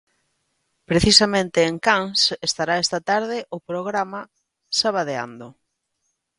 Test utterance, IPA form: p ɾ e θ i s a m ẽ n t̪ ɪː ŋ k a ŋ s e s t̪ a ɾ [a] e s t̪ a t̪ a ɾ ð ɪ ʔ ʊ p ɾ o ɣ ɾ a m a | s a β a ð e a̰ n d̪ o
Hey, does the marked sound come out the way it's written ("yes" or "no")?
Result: yes